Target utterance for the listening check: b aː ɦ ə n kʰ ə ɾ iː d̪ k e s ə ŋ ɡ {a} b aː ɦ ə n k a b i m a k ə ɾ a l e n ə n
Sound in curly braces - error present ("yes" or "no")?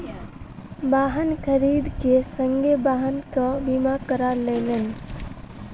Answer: yes